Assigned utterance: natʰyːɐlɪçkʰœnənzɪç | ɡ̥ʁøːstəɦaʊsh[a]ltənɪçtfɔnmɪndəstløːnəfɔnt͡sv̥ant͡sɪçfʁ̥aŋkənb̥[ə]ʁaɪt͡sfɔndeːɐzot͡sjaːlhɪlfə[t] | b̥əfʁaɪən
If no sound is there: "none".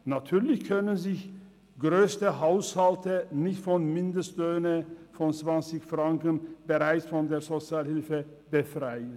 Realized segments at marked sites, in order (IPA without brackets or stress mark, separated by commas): a, ə, none